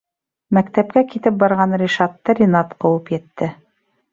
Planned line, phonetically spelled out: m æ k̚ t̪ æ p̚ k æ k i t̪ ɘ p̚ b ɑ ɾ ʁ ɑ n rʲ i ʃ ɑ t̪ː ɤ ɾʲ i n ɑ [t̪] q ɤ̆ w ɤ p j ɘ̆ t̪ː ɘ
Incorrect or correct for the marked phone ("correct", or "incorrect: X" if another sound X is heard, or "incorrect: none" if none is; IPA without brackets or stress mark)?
correct